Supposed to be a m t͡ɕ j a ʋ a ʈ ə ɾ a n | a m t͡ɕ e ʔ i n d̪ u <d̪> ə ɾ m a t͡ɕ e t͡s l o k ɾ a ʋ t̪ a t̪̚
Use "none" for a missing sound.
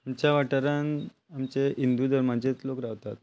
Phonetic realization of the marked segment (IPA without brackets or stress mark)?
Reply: d̪